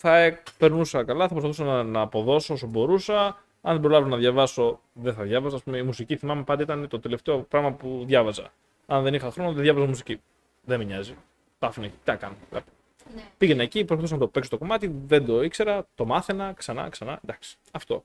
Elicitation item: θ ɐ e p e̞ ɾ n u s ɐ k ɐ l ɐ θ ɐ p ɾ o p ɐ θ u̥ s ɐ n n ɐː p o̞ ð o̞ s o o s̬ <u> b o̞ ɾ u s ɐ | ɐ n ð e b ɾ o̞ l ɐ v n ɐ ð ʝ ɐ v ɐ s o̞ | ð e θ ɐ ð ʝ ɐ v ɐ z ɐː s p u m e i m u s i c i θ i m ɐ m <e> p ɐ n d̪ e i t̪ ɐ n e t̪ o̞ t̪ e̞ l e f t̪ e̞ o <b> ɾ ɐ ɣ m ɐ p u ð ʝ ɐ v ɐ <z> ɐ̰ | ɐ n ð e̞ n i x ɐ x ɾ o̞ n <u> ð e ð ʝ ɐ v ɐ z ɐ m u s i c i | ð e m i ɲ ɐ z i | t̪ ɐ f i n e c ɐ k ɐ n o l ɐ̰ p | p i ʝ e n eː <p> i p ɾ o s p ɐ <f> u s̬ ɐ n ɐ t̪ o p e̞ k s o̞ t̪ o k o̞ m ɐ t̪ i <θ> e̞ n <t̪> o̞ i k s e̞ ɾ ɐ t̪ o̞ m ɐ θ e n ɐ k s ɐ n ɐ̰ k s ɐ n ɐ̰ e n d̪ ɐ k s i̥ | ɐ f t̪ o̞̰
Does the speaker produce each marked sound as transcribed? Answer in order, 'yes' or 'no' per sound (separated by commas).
no, yes, no, yes, no, no, no, no, no